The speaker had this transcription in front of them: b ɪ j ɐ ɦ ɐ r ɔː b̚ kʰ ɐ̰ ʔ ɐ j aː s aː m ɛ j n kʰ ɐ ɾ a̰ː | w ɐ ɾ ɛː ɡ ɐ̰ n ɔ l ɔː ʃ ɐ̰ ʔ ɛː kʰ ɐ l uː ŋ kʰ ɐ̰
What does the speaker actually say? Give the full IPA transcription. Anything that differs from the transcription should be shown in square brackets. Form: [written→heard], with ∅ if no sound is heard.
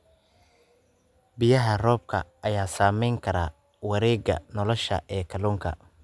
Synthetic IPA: b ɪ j ɐ ɦ ɐ r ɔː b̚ kʰ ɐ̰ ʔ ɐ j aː s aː m ɛ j [n→ŋ] kʰ ɐ ɾ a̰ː | w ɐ ɾ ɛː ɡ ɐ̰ n ɔ l [ɔː→ɔ] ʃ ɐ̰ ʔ ɛː kʰ ɐ l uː ŋ kʰ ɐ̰

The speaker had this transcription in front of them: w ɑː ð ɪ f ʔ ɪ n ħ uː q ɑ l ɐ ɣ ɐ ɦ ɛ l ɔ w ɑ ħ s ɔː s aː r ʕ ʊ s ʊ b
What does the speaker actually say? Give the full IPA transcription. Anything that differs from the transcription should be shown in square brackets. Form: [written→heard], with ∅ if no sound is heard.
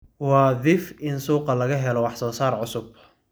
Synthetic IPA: w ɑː ð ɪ f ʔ ɪ n [ħ→s] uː q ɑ l ɐ ɣ ɐ ɦ ɛ l ɔ w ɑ ħ s ɔː s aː r ʕ ʊ s ʊ b

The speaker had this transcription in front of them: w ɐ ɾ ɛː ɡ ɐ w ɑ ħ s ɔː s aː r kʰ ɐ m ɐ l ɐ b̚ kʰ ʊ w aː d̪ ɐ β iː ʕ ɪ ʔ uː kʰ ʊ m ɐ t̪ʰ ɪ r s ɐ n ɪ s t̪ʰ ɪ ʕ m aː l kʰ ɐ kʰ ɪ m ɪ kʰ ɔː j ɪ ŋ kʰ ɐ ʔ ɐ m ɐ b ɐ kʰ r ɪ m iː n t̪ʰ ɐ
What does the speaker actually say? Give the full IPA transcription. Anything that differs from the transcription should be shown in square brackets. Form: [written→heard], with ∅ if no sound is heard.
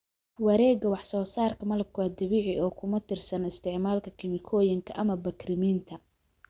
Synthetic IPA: w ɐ ɾ ɛː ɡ ɐ w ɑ ħ s ɔː s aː r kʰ ɐ m ɐ l ɐ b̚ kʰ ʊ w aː d̪ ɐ β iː ʕ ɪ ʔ [uː→ɔː] kʰ ʊ m ɐ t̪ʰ ɪ r s ɐ n ɪ s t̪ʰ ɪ ʕ m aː l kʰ ɐ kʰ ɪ m ɪ kʰ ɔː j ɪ ŋ kʰ ɐ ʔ ɐ m ɐ b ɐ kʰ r ɪ m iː n t̪ʰ ɐ

